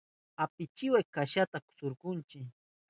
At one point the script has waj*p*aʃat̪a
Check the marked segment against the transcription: incorrect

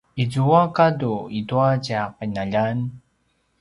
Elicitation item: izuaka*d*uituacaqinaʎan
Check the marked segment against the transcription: correct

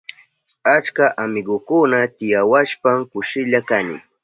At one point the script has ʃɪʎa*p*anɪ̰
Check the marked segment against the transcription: incorrect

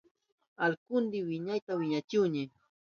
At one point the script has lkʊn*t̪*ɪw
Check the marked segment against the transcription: incorrect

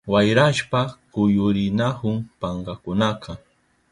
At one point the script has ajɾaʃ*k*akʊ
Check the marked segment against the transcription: incorrect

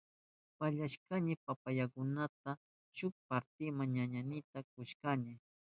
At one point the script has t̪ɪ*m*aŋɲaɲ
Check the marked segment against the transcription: correct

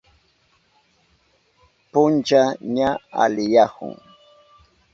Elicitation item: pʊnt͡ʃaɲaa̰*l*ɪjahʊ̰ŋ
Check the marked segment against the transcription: correct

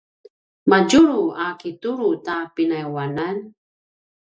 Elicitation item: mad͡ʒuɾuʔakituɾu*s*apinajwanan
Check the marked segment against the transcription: incorrect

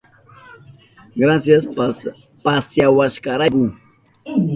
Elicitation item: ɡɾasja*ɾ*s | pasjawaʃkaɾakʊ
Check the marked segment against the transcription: incorrect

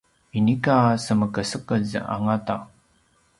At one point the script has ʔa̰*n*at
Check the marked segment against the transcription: incorrect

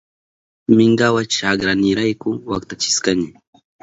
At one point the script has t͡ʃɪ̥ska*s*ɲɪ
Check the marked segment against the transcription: incorrect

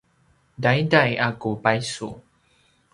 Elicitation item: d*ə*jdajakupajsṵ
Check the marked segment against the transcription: incorrect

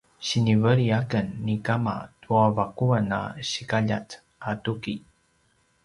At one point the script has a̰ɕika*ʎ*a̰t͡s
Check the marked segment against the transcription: correct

